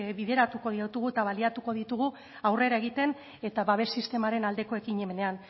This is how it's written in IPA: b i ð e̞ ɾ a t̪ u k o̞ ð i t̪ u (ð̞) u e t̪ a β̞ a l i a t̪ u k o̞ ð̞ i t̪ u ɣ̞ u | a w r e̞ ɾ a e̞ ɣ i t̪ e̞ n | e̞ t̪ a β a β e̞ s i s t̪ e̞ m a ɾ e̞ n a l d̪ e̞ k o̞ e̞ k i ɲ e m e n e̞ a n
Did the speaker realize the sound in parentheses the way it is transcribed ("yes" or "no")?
no